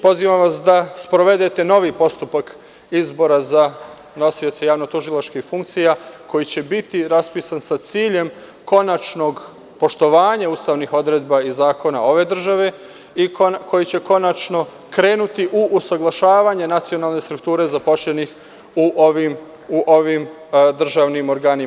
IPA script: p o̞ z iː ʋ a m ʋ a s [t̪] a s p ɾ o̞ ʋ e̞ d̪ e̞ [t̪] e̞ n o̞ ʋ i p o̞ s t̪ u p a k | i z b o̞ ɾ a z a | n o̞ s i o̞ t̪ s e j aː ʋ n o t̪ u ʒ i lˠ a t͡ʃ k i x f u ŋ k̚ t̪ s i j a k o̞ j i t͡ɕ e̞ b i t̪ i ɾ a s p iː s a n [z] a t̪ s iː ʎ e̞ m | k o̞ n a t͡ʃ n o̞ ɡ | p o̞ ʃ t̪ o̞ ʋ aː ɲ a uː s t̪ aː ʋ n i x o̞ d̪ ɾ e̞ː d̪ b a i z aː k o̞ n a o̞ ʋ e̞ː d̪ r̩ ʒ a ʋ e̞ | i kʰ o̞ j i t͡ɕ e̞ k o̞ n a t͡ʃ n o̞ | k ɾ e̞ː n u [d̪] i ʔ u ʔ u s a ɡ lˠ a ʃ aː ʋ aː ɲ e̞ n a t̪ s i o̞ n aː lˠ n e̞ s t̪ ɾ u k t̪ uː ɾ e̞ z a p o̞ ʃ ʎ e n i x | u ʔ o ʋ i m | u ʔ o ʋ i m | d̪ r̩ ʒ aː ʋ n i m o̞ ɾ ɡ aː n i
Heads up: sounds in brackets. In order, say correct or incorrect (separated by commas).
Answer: incorrect, correct, incorrect, incorrect